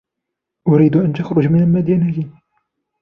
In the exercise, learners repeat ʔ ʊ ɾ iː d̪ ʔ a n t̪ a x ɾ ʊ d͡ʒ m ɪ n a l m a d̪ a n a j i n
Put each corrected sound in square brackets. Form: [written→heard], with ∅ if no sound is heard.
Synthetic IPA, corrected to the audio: ʔ ʊ ɾ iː d̪ ʔ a n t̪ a x ɾ ʊ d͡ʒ m ɪ n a l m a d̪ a n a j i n